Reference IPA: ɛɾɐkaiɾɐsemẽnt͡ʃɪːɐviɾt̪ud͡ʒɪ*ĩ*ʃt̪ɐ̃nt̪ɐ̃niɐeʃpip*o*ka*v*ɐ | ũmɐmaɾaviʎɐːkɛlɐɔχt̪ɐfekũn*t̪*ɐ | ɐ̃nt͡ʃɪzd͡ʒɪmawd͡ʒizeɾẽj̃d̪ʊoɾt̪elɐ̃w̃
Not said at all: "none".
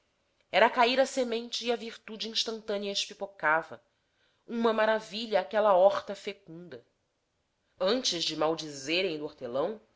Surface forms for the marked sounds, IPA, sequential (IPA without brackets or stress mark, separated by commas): ĩ, o, v, d̪